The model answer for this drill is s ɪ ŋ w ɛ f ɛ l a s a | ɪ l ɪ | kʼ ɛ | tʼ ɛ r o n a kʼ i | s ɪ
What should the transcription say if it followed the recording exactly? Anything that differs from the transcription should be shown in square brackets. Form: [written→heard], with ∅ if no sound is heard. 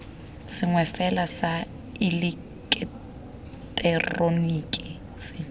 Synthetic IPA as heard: s ɪ ŋ w ɛ f ɛ l a s a | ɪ l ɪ | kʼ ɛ | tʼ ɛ r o n [a→i] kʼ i | s ɪ